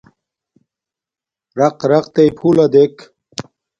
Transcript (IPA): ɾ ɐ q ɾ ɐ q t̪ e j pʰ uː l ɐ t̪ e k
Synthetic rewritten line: ɾ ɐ q ɾ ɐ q t̪ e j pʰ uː l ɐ d̪ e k